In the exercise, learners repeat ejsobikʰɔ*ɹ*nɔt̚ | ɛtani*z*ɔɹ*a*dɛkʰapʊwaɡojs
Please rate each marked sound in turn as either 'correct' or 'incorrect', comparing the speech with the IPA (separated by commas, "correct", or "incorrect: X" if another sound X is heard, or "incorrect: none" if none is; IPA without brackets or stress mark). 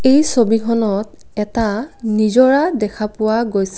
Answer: incorrect: none, correct, correct